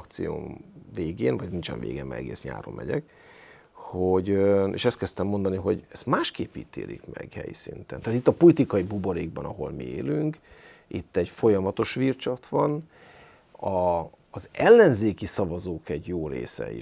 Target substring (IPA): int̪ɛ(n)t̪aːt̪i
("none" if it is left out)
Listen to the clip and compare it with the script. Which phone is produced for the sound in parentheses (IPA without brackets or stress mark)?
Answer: n